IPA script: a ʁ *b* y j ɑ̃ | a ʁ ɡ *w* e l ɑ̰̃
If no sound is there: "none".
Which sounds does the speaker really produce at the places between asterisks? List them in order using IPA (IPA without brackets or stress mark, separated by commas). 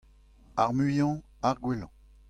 m, w